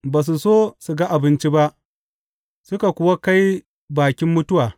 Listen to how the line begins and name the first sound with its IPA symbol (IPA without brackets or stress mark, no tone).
b